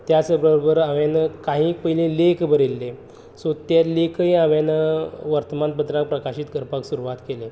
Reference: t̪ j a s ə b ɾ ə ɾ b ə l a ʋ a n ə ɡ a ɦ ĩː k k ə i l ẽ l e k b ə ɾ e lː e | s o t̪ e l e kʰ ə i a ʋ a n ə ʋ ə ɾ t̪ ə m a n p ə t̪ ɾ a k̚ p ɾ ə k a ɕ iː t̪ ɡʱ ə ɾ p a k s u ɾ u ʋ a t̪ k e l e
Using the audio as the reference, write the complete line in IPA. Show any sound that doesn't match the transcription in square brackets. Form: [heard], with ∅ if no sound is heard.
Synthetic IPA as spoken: t̪ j a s ə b ɾ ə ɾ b ə [ɾ] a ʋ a n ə [k] a ɦ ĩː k [p] ə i l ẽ l e k b ə ɾ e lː e | s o t̪ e l e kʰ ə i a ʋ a n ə ʋ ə ɾ t̪ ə m a n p ə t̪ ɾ a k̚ p ɾ ə k a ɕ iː t̪ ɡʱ ə ɾ p a k s u ɾ u ʋ a t̪ k e l e